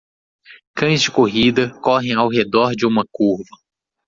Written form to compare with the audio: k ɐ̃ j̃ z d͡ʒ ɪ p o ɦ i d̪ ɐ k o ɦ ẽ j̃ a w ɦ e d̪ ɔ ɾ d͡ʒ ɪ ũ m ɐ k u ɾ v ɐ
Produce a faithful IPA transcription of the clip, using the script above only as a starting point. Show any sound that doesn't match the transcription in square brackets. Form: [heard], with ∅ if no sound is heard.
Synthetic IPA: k ɐ̃ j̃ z d͡ʒ ɪ [k] o ɦ i d̪ ɐ k [ɔ] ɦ ẽ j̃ a w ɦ e d̪ ɔ ɾ d͡ʒ ɪ ũ m ɐ k u ɾ v ɐ